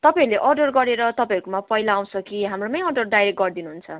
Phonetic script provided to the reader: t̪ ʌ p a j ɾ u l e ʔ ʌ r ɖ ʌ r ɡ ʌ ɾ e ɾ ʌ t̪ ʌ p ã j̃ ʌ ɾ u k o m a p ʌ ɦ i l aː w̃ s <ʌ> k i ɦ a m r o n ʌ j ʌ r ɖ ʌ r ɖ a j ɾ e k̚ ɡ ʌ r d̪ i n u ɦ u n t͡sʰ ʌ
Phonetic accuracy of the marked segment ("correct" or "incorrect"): correct